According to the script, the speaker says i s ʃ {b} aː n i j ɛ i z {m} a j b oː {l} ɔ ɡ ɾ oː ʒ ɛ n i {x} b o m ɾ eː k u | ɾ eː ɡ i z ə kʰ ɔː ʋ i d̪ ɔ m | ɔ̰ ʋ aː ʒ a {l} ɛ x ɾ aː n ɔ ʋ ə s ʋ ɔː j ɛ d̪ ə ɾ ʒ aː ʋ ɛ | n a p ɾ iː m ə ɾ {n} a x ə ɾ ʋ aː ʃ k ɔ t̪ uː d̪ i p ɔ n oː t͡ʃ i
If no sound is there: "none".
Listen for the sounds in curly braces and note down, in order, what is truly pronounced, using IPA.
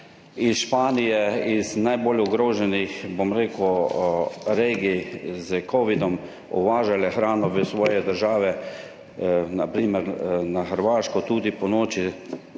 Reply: p, n, l, x, l, n

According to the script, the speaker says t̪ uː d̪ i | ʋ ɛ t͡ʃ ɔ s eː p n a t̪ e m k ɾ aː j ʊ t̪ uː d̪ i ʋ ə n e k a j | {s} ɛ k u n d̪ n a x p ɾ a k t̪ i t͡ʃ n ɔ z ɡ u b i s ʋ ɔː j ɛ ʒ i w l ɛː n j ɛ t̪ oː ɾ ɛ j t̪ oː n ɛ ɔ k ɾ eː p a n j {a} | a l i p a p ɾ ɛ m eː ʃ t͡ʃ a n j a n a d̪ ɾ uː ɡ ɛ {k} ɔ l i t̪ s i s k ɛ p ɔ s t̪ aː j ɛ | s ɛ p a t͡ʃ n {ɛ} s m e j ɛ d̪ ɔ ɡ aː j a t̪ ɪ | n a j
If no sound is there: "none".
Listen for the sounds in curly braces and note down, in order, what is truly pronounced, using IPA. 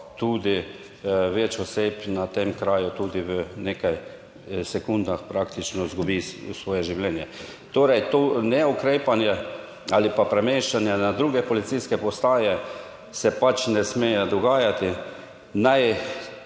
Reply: s, ɛ, p, ɛ

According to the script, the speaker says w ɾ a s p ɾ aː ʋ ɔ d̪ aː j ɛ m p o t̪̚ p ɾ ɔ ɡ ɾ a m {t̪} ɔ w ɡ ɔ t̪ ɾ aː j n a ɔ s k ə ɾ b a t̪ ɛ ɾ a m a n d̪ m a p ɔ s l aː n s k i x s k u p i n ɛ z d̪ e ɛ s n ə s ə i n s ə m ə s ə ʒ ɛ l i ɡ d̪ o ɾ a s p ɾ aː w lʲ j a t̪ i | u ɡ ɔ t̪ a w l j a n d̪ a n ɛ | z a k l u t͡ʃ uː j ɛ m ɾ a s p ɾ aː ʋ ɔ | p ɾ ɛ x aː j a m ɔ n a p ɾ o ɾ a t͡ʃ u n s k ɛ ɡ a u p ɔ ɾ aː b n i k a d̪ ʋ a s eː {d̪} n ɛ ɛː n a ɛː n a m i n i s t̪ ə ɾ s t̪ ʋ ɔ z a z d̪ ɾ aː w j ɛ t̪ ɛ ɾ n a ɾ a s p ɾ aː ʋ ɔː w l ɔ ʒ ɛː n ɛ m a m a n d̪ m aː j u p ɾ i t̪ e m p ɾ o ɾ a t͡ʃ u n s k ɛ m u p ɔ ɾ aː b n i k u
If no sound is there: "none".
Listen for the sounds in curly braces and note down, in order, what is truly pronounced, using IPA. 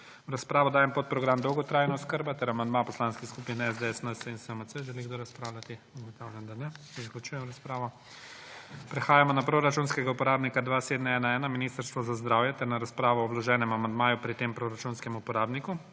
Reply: d̪, d̪

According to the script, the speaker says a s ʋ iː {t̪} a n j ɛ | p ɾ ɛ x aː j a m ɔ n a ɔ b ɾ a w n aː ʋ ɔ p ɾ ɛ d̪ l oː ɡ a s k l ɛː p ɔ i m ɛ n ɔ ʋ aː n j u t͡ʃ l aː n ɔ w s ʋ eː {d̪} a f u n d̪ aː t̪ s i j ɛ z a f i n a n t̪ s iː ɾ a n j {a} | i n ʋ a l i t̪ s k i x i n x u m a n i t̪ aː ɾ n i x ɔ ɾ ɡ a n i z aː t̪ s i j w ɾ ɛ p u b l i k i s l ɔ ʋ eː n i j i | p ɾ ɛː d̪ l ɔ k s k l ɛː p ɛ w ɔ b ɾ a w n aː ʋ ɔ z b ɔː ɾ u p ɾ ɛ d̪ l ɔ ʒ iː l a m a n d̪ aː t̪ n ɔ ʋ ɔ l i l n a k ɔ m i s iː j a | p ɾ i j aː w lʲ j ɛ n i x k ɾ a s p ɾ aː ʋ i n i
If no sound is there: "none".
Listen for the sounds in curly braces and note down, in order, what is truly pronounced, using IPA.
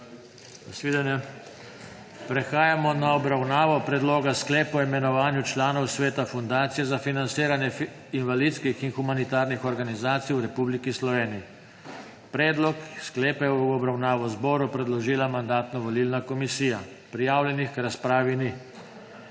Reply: d̪, t̪, ɛ

